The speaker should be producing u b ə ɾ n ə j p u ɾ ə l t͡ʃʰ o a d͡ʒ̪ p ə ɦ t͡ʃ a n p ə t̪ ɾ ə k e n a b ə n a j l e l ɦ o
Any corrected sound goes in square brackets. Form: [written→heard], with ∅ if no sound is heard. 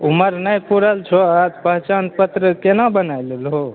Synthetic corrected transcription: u [b→m] ə ɾ n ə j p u ɾ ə l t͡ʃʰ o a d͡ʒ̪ p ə ɦ t͡ʃ a n p ə t̪ ɾ ə k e n a b ə n a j l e l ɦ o